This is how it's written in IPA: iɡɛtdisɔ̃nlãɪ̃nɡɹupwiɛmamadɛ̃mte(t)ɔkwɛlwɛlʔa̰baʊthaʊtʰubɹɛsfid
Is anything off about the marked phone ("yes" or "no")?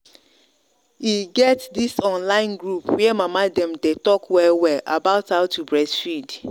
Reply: no